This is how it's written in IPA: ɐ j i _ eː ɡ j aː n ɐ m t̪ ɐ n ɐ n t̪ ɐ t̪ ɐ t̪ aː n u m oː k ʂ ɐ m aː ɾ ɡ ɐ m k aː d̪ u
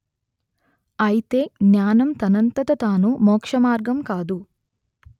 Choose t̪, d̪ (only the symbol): t̪